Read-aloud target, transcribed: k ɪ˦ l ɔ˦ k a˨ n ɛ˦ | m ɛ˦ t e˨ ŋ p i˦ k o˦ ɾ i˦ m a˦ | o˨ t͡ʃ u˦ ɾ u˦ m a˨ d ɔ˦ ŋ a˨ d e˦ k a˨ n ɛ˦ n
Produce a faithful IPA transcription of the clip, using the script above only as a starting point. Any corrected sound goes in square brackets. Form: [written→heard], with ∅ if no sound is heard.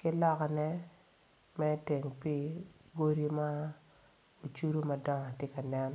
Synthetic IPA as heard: k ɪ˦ l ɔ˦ k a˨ n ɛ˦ | m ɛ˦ t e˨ ŋ p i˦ [k→ɡ] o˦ ɾ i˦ m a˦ | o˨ t͡ʃ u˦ ɾ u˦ m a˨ d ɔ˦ ŋ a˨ [d→t] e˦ k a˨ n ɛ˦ n